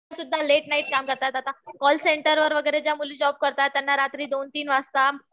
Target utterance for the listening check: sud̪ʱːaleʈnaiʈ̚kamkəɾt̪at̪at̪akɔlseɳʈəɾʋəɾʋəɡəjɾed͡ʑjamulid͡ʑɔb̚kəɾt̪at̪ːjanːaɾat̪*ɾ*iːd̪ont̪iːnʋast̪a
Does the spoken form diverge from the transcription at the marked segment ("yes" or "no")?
no